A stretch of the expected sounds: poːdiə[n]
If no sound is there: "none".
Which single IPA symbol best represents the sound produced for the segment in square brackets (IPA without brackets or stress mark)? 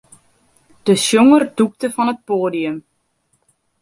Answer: m